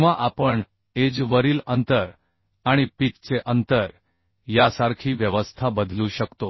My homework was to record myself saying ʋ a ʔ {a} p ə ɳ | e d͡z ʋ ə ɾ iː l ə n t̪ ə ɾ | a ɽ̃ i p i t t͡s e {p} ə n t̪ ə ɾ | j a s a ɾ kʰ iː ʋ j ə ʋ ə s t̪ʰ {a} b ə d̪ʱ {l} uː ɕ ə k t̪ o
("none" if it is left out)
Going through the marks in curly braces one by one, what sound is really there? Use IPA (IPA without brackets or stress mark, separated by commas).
a, ʔ, a, l